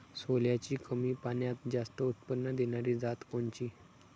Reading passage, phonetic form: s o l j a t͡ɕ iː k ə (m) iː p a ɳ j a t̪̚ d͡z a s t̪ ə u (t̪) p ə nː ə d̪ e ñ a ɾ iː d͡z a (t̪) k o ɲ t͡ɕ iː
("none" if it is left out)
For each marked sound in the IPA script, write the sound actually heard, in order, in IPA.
m, t̪, t̪

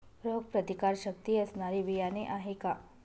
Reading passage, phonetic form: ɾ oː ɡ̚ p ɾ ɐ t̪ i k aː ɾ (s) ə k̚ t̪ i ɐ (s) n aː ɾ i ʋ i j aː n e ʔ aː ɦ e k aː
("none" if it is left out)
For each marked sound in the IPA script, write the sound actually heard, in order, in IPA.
ʃ, s

